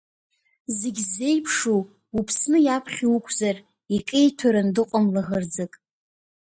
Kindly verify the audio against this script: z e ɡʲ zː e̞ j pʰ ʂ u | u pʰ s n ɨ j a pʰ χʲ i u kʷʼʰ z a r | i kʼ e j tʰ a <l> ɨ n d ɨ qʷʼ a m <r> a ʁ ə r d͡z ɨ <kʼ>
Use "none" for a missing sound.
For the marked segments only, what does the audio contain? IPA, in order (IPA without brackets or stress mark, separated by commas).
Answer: ɾ, l, kʼ